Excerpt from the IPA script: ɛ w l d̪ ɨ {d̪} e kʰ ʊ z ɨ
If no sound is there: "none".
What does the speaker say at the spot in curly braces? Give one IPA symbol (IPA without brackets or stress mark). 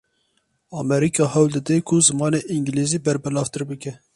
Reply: d̪